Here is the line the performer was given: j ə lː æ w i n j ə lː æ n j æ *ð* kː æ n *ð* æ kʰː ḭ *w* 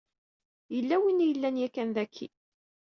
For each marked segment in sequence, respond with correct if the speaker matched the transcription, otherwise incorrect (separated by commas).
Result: incorrect, correct, incorrect